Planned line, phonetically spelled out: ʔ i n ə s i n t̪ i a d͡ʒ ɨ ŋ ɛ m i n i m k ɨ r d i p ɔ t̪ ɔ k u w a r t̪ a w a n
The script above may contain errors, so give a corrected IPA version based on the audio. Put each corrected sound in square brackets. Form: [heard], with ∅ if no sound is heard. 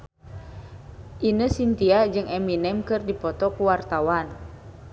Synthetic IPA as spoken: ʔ i n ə s i n t̪ i a d͡ʒ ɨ ŋ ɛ m i n [ɛ] m k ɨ r d i p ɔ t̪ ɔ k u w a r t̪ a w a n